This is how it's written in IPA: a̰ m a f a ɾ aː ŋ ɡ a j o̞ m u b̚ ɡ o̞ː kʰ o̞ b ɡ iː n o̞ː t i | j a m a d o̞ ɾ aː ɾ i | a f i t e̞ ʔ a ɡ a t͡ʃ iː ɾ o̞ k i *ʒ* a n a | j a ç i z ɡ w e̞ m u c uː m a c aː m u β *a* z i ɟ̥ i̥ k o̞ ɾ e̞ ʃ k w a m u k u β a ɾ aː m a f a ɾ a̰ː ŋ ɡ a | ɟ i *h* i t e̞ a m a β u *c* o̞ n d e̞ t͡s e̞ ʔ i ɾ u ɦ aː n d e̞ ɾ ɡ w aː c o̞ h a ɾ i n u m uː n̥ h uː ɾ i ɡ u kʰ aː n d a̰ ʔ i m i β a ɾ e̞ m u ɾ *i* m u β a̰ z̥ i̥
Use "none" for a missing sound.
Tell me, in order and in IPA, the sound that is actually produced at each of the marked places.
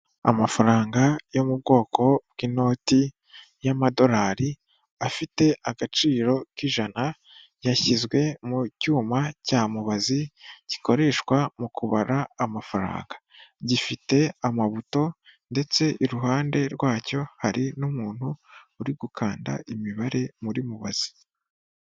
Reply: ʒ, a, f, t, i

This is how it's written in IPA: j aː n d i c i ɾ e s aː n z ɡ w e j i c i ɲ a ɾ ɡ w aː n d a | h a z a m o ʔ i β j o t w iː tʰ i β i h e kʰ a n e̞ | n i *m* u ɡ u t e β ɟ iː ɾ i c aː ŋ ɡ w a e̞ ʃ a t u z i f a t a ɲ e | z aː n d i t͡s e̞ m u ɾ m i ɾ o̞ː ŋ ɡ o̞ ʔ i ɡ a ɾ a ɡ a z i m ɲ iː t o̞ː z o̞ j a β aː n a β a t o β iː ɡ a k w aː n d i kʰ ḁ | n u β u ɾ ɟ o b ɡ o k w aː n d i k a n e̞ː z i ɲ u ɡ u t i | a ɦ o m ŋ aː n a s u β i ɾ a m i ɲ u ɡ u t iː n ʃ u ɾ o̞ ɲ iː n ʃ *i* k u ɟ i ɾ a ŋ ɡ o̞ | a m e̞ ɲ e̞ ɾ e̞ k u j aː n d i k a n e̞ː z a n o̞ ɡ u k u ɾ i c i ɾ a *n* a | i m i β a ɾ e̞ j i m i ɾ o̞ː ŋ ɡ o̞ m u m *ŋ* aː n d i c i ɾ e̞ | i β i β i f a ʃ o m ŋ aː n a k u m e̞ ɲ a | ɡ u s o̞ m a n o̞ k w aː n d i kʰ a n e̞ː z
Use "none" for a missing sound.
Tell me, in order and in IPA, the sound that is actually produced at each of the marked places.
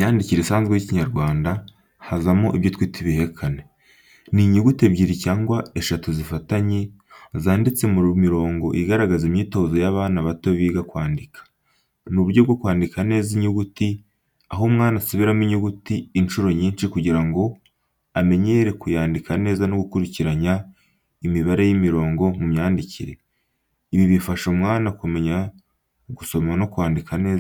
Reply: ɲ, i, ɲ, ɲ

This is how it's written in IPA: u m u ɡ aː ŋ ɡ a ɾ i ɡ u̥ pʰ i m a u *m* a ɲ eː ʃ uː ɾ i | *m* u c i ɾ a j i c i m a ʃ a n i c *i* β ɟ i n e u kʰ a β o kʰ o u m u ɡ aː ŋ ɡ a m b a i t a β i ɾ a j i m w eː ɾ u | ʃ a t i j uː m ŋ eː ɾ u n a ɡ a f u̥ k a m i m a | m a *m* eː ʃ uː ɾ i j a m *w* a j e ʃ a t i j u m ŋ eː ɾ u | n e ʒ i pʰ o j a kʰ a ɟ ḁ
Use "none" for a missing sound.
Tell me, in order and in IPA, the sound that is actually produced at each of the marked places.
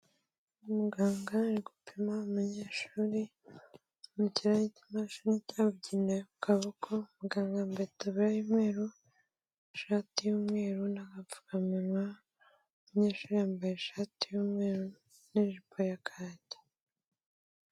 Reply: m, m, a, ɲ, b

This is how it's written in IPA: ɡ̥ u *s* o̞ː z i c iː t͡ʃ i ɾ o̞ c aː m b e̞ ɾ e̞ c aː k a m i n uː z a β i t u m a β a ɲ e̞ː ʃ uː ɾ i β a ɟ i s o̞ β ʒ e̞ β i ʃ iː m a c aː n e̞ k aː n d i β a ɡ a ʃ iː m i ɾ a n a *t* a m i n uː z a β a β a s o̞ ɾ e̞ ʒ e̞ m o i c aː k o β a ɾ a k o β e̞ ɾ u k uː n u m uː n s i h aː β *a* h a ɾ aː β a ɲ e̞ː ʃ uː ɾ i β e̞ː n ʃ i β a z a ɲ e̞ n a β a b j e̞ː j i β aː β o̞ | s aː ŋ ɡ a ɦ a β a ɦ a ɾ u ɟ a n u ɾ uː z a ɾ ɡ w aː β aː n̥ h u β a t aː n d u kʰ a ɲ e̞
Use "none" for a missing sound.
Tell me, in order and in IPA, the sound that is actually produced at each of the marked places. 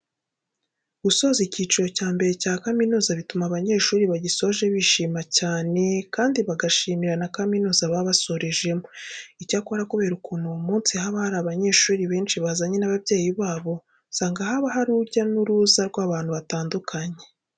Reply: s, k, a

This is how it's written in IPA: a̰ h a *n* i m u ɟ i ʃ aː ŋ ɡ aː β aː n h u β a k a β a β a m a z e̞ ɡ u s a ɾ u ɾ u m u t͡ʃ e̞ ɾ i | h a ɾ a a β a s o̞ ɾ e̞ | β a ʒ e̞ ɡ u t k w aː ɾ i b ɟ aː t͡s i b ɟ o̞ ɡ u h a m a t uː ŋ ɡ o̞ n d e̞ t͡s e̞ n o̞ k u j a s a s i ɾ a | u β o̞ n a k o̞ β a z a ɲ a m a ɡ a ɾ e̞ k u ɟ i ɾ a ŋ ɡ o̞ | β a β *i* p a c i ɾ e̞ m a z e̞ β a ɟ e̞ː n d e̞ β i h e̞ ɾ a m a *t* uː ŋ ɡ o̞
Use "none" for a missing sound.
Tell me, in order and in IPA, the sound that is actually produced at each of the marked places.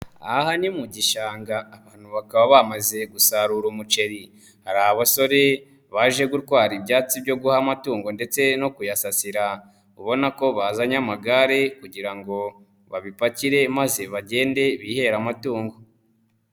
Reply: n, i, t

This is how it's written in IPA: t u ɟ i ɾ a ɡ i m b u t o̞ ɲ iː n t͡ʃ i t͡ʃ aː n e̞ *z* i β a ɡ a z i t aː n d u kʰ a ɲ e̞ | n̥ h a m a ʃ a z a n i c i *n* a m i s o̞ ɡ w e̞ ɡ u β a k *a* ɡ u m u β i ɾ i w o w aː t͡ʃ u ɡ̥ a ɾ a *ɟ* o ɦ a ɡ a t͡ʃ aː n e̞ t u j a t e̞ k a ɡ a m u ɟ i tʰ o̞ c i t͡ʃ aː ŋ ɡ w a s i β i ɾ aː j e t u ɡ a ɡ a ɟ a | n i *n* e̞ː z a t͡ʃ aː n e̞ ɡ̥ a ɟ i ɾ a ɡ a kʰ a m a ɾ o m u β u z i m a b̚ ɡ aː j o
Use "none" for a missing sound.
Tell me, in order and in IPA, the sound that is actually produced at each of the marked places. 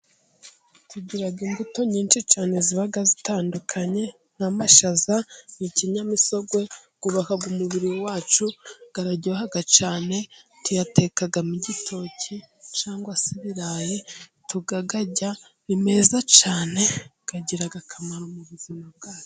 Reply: z, ɲ, a, ɟ, m

